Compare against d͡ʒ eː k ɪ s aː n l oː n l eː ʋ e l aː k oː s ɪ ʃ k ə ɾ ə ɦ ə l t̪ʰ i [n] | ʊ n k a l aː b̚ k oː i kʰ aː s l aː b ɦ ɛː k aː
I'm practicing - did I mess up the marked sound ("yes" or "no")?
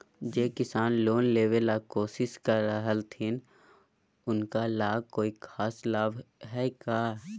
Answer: no